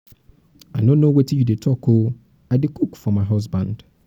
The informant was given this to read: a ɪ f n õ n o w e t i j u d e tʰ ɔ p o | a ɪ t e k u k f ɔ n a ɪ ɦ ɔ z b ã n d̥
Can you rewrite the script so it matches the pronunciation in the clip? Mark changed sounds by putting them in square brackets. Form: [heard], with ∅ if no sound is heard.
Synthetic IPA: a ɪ [∅] n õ n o w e t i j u d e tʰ ɔ [k] o | a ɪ [d] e k u k f ɔ [m] a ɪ ɦ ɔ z b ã n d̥